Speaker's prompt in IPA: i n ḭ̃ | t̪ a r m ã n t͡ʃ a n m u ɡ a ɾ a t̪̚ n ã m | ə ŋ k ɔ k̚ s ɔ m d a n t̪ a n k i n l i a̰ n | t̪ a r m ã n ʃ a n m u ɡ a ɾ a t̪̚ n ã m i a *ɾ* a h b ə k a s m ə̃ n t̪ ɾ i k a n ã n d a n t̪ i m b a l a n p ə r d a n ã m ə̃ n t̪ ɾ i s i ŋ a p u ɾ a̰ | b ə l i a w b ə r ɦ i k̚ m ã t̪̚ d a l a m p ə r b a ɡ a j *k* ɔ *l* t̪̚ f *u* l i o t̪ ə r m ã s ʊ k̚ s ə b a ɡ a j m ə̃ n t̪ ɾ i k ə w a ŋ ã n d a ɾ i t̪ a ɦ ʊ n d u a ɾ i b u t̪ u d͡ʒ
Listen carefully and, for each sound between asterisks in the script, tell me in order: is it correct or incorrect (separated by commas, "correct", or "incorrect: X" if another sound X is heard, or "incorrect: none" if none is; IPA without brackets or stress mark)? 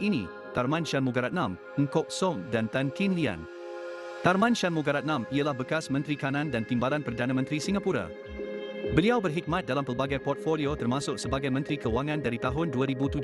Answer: incorrect: l, incorrect: p, incorrect: r, incorrect: o